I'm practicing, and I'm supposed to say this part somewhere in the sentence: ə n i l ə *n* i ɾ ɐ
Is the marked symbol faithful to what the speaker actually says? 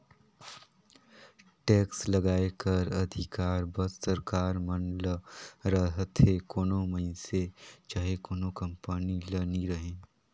yes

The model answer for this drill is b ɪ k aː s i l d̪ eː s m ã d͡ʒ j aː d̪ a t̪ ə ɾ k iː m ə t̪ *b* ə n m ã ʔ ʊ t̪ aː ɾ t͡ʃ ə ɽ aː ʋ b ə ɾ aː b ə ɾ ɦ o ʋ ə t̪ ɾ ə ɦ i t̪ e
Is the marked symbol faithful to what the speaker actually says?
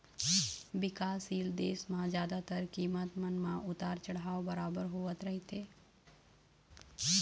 no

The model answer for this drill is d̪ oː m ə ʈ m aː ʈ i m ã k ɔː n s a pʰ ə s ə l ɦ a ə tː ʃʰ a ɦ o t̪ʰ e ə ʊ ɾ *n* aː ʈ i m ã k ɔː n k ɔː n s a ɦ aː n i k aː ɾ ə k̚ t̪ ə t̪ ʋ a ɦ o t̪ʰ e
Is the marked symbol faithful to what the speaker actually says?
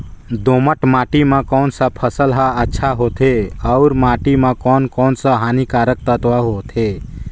no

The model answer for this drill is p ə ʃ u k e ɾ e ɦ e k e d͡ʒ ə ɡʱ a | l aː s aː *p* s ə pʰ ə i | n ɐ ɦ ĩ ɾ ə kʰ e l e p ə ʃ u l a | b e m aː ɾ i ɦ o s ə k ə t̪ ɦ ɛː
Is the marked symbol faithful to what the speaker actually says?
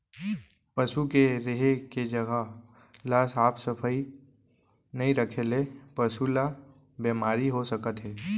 yes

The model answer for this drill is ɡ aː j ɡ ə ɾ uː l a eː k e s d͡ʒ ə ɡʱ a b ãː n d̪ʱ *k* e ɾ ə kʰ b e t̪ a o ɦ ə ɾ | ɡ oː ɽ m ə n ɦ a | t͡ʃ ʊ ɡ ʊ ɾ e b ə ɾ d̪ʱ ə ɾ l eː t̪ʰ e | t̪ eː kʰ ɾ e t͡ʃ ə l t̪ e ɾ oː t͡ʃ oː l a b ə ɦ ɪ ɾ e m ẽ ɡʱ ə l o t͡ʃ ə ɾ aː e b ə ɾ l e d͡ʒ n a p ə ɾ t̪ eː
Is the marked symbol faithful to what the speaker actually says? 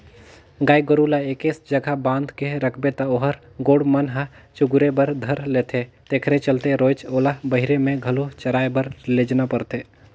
yes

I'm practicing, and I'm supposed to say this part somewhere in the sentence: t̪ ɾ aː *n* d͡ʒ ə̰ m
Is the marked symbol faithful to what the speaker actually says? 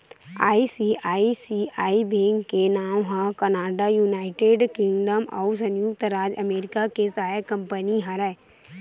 no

